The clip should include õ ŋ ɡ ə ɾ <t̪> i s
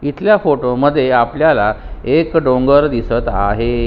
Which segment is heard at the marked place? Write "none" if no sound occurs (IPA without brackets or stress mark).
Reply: d̪